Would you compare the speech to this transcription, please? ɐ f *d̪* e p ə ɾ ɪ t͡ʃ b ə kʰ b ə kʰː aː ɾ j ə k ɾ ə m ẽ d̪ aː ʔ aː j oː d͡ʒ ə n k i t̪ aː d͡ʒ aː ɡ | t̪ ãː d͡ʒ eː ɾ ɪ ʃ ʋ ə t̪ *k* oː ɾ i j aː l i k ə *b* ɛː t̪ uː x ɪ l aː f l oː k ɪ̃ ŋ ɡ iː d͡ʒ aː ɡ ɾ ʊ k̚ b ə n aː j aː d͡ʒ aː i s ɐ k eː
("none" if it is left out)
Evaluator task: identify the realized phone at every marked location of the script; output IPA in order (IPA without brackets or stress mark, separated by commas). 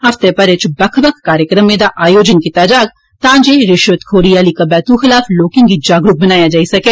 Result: t̪, kʰ, b